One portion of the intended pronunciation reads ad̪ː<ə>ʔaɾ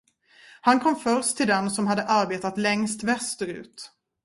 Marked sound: correct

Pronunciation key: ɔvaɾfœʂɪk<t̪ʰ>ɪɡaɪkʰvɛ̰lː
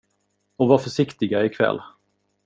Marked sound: incorrect: t̪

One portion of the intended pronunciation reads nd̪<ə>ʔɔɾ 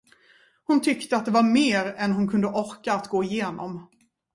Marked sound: correct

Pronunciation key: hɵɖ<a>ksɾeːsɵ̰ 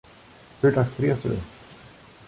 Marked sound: correct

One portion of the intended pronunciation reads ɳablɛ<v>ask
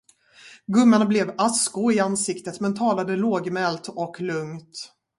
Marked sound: correct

